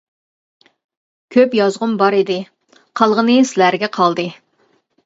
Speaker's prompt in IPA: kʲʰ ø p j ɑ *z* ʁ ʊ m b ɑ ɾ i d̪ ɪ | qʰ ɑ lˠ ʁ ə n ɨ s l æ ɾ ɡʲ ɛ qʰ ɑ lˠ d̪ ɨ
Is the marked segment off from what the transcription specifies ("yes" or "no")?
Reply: no